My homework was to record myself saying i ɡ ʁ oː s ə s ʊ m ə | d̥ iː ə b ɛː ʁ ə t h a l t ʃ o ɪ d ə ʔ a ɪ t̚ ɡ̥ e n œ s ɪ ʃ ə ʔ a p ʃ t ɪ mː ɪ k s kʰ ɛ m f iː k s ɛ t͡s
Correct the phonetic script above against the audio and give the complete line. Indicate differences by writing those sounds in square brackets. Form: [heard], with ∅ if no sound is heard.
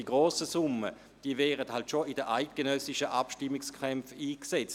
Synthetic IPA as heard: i ɡ ʁ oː s ə s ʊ m ə | d̥ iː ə [v] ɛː ʁ ə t h a l t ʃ o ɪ d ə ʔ a ɪ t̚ ɡ̥ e n œ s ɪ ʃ ə ʔ a p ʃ t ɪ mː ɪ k s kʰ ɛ m f iː k s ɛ t͡s

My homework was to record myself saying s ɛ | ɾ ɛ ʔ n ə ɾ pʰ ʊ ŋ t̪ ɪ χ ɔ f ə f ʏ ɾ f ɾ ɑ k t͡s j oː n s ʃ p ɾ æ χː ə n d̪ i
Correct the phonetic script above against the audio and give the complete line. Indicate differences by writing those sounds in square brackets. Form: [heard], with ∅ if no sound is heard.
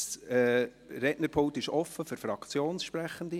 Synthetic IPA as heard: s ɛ | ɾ ɛ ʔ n ə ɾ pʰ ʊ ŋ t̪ ɪ [ʃ] ɔ f ə f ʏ ɾ f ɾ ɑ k t͡s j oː n s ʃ p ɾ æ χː ə n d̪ i

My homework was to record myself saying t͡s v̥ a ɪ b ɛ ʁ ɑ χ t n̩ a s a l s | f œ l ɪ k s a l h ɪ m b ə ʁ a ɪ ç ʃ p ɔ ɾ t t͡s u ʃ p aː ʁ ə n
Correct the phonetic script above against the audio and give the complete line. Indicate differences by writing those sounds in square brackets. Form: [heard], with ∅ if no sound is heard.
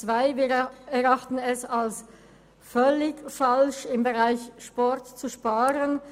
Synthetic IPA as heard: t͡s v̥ a ɪ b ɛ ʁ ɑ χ t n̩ [ɛ] s a l s | f œ l ɪ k [f] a l [ʃ] ɪ m b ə ʁ a ɪ ç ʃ p ɔ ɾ t t͡s u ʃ p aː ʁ ə n

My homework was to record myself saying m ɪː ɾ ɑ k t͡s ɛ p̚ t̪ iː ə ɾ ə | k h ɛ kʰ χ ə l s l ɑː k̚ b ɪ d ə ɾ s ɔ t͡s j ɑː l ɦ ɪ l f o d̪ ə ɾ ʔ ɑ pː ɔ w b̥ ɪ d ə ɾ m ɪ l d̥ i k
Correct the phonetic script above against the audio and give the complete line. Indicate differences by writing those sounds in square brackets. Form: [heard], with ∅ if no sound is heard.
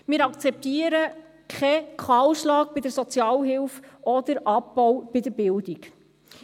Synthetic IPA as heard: m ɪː ɾ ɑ k t͡s ɛ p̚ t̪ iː ə ɾ ə | k [χ] ɛ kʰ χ [ɑ] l [ʃ] l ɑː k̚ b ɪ d ə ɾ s ɔ t͡s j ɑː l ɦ ɪ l f [ɔ] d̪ ə ɾ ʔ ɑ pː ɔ w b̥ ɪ d ə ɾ [b] ɪ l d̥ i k

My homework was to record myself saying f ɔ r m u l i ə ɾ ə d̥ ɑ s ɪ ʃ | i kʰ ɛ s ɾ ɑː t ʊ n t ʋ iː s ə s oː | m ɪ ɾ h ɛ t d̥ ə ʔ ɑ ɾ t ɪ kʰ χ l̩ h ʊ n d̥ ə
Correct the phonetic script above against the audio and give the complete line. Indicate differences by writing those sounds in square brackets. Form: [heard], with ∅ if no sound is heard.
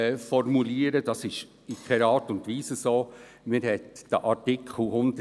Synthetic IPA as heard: f ɔ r m u l i ə ɾ ə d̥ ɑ s ɪ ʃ | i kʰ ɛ [∅] ɾ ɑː t ʊ n t ʋ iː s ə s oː | m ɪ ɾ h ɛ t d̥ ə ʔ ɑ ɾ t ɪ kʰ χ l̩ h ʊ n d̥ ə

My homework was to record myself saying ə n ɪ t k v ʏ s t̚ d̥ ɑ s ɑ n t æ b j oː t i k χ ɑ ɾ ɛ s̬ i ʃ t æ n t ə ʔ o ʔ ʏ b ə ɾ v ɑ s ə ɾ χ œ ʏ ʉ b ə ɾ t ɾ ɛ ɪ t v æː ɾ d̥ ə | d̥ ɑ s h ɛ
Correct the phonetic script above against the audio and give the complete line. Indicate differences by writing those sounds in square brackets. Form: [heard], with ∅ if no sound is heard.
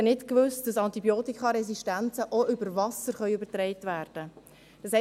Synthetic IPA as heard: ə n ɪ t k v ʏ s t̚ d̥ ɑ s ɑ n t [i] b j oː t i k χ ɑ ɾ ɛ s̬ i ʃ t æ n [t͡s] ə ʔ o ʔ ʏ b ə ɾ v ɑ s ə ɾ χ œ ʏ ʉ b ə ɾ t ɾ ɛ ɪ t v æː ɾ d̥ ə | d̥ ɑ s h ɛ

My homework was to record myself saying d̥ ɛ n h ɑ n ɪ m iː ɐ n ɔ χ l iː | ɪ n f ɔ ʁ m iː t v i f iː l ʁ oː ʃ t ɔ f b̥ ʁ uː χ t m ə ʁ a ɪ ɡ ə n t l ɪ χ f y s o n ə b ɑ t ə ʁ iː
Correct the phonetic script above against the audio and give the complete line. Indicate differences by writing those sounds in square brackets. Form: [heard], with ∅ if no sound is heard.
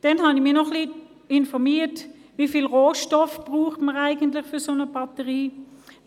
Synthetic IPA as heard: d̥ ɛ n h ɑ n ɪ m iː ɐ n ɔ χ l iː | ɪ n f ɔ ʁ m iː t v i f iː l ʁ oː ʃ t ɔ f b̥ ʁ uː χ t m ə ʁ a ɪ ɡ ə n t l ɪ χ f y s o n ə b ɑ t ə ʁ iː

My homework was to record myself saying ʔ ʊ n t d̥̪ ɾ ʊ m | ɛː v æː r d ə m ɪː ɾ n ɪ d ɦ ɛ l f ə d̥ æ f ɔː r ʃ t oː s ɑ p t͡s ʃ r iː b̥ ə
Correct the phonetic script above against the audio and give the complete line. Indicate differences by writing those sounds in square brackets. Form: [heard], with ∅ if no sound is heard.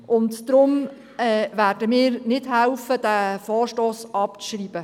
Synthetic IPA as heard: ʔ ʊ n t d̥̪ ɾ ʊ m | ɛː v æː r d ə m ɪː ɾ n ɪ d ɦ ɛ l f ə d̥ æ f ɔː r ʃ t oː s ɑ p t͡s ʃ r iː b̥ ə

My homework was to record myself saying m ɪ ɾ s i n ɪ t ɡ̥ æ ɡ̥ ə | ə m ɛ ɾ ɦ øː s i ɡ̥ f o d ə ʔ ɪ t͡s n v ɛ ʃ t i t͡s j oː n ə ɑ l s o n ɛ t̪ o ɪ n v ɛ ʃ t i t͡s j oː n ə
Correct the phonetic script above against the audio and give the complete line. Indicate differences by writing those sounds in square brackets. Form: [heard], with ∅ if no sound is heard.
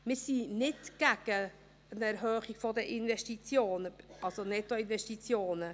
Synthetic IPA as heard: m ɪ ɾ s i n ɪ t ɡ̥ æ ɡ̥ ə | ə [n] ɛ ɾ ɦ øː [χ] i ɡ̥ f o d ə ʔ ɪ [∅] n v ɛ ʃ t i t͡s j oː n ə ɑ l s o n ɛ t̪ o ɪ n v ɛ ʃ t i t͡s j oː n ə

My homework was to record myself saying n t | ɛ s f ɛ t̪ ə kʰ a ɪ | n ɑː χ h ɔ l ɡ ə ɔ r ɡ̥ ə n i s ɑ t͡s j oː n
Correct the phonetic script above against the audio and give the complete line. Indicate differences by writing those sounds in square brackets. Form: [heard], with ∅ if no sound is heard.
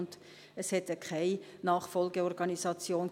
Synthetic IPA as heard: n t | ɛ s [h] ɛ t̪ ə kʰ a ɪ | n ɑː χ [f] ɔ l ɡ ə ɔ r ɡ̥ [ɑ] n i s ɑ t͡s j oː n

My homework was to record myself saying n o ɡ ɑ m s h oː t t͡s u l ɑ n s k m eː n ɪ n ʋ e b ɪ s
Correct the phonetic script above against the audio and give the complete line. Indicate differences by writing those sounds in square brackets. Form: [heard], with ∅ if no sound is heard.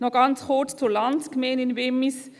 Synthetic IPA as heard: n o ɡ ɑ [n] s h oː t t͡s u l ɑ n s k m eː n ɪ n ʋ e [m] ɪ s

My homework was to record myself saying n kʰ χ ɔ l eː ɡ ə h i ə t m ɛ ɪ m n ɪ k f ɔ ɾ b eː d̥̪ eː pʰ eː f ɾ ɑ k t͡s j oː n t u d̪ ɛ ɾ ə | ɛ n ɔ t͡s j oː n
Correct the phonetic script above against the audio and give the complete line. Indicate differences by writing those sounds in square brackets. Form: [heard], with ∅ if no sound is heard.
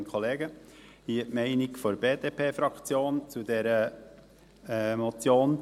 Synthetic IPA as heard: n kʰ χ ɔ l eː ɡ ə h i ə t m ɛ ɪ [∅] n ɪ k f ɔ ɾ b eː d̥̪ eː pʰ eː f ɾ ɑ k t͡s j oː n [t͡s] u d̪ ɛ ɾ ə | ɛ [m] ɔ t͡s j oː n

